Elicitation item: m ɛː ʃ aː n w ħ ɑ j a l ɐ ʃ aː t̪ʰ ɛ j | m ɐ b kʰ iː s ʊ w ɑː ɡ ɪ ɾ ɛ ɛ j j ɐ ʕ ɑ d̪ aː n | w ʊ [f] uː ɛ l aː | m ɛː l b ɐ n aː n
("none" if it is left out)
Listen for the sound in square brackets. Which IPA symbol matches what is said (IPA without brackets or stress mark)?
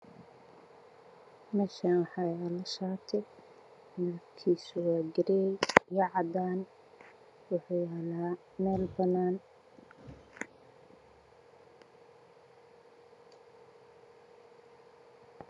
ħ